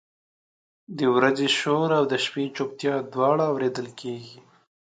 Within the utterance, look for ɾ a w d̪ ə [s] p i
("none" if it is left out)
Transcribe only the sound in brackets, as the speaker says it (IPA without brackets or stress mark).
ʃ